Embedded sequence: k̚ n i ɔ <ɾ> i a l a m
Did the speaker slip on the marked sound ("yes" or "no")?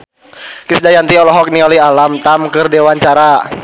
yes